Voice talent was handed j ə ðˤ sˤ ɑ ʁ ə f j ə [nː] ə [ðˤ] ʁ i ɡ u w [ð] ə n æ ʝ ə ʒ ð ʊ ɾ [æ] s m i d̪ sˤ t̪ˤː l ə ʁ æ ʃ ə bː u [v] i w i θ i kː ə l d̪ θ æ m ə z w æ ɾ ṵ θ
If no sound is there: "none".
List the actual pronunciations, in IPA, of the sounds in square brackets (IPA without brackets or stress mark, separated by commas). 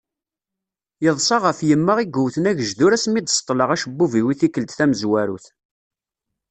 mː, none, θ, æ, v